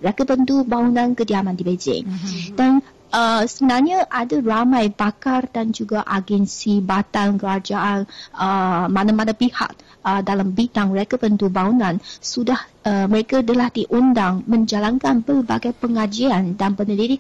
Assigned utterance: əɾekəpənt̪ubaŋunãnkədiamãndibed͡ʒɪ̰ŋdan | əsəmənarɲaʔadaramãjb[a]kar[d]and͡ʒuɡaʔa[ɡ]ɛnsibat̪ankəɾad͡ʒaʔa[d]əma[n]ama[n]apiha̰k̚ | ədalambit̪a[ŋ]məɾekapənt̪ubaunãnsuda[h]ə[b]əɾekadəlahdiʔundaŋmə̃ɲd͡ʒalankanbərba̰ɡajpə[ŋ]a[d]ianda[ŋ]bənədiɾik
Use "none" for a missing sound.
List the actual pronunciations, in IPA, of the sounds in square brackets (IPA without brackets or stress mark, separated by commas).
a, d, ɡ, n, n, n, ŋ, h, m, ŋ, d͡ʒ, n